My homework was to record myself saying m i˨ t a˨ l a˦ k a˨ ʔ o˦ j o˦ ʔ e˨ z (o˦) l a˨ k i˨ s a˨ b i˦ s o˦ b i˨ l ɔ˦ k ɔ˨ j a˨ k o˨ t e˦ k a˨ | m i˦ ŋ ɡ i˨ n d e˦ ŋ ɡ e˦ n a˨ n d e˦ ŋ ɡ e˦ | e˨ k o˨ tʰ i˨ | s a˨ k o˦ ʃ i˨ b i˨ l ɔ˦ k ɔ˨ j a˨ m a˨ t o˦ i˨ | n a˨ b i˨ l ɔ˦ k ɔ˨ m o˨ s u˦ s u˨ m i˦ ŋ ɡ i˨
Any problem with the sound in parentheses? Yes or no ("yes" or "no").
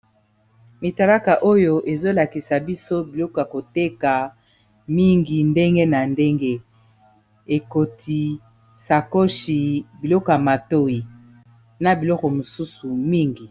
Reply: no